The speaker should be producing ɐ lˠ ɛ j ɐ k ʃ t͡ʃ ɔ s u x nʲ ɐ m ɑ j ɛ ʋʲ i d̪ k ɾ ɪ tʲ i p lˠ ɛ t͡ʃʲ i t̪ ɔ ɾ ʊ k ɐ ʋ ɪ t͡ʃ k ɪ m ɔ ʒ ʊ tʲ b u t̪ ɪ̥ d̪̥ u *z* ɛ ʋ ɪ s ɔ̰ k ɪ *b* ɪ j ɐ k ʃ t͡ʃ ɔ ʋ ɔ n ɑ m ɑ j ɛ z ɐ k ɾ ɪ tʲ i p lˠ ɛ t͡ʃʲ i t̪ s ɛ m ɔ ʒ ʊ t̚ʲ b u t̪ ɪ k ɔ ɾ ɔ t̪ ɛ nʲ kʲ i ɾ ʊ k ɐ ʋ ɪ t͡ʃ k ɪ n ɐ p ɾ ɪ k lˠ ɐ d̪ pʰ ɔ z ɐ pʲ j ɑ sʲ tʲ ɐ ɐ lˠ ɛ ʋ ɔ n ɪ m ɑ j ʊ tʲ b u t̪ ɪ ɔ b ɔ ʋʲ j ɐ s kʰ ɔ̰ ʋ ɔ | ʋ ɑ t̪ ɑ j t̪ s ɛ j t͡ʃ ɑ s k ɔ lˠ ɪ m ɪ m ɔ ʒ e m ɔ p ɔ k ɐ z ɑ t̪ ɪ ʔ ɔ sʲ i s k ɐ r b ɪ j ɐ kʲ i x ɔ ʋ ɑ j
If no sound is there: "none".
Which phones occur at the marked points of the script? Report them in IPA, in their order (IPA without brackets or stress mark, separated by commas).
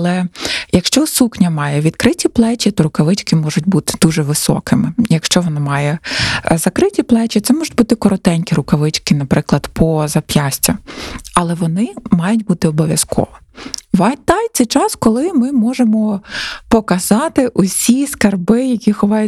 ʒ, m